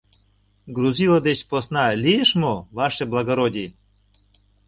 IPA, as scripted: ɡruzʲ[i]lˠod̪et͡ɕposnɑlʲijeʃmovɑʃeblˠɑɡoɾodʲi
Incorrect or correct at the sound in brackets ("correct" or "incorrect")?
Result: correct